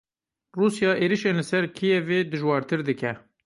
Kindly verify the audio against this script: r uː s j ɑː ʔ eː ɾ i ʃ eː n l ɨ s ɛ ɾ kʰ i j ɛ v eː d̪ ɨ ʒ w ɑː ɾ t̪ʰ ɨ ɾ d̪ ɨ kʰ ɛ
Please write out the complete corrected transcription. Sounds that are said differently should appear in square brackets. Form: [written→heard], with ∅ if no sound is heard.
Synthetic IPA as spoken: r uː s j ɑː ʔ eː ɾ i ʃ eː n l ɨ s ɛ ɾ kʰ i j ɛ v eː d̪ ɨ ʒ w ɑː ɾ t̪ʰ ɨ ɾ d̪ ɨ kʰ ɛ